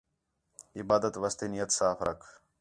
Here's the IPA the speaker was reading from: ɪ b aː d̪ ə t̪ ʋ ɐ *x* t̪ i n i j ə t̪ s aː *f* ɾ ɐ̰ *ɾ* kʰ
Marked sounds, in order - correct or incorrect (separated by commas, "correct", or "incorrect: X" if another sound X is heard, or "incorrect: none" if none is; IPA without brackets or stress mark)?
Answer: incorrect: s, correct, incorrect: none